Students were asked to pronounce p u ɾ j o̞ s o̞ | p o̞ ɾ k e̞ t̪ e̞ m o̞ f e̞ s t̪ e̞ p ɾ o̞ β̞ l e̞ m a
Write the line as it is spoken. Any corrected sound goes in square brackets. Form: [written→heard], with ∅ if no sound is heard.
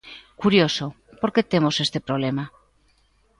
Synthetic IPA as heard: [p→k] u ɾ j o̞ s o̞ | p o̞ ɾ k e̞ t̪ e̞ m o̞ [f→s] e̞ s t̪ e̞ p ɾ o̞ β̞ l e̞ m a

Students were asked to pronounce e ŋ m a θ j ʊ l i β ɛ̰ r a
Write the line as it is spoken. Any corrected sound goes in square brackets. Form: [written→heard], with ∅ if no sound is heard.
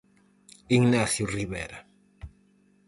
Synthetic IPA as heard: [e→i] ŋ [m→n] a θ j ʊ [l→r] i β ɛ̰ [r→ɾ] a

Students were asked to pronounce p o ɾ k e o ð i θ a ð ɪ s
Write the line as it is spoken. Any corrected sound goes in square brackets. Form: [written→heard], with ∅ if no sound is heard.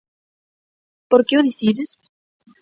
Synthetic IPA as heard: p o ɾ k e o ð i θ [a→i] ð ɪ s

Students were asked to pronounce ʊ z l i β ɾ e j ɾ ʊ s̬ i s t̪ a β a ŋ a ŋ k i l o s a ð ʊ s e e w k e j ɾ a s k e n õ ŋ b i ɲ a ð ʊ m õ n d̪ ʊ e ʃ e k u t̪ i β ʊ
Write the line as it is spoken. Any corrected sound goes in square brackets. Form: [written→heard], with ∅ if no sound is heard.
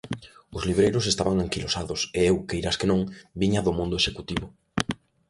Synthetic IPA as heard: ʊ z l i β ɾ e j ɾ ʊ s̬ [i→e] s t̪ a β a ŋ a ŋ k i l o s a ð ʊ s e e w k e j ɾ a s k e n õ ŋ b i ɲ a ð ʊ m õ n d̪ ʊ e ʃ e k u t̪ i β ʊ

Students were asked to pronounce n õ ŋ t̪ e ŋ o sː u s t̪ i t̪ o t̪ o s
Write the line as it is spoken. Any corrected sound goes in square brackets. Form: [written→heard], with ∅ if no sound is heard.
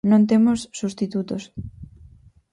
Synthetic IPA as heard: n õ [ŋ→n] t̪ e [ŋ→m] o sː u s t̪ i t̪ [o→u] t̪ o s

